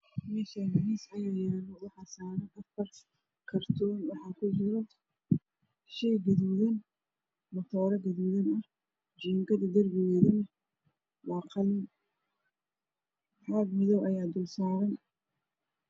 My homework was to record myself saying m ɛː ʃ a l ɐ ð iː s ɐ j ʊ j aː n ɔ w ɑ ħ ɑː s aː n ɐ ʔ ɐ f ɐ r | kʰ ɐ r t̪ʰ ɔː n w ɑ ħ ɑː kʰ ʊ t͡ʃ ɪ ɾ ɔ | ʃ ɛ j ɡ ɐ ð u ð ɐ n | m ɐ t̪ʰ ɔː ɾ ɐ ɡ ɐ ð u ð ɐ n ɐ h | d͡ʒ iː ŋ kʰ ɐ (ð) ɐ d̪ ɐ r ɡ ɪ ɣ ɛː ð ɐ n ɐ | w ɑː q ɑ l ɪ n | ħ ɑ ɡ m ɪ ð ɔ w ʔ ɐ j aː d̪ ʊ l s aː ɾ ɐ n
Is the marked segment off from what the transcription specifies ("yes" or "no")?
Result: no